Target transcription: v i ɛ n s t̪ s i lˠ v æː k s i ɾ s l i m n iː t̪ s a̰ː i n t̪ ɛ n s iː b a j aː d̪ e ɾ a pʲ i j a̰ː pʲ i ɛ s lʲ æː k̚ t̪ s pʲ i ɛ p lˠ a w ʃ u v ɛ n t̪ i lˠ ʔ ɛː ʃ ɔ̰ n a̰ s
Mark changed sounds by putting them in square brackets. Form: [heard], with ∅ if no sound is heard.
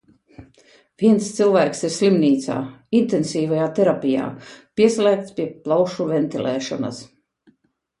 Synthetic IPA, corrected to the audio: v i ɛ n s t̪ s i lˠ v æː k s i ɾ s l i m n iː t̪ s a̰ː i n t̪ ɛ n s iː [v] a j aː [t̪] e ɾ a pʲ i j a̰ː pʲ i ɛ s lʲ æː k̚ t̪ s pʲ i ɛ p lˠ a w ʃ u v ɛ n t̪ i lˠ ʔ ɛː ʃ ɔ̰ n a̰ s